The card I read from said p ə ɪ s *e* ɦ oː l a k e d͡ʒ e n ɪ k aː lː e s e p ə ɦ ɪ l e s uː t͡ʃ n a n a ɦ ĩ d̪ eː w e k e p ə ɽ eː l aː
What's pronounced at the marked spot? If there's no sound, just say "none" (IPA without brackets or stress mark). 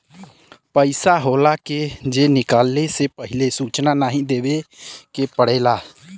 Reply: a